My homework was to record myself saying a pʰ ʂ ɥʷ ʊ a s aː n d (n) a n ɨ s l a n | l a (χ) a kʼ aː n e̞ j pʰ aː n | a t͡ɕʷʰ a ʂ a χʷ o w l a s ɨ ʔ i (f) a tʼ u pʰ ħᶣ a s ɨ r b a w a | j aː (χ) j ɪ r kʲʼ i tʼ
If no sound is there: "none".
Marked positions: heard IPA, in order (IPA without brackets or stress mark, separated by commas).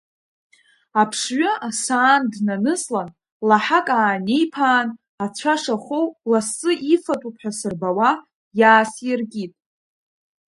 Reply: n, ħ, f, s